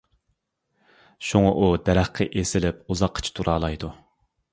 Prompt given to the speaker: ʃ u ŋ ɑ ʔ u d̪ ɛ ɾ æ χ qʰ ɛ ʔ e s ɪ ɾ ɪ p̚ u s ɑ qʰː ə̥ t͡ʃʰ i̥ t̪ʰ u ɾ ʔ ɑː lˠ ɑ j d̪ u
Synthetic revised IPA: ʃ u ŋ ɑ ʔ u d̪ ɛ ɾ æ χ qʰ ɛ ʔ e s ɪ l ɪ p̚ u z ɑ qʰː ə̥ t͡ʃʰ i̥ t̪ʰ u ɾ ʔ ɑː lˠ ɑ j d̪ u

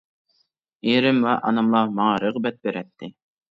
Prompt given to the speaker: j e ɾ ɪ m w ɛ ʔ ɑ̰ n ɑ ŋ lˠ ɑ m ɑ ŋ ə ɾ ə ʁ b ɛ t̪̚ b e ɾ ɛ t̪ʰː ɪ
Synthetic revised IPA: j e ɾ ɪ m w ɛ ʔ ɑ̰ n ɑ m lˠ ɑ m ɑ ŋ ɑ ɾ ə ʁ b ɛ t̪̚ b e ɾ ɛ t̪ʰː ɪ

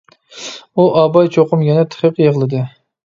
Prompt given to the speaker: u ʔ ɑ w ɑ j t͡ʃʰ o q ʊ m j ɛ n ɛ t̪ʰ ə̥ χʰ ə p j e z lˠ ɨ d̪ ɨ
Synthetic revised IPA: u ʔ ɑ b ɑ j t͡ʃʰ o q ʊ m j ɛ n ɛ t̪ʰ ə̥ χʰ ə q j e ʁ lˠ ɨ d̪ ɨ

